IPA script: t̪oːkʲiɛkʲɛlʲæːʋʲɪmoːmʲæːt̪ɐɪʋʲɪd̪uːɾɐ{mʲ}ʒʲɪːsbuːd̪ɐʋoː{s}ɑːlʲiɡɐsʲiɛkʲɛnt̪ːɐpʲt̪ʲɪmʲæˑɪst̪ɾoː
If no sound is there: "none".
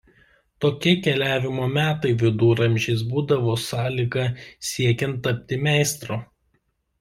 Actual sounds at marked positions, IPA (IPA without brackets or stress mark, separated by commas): mʲ, s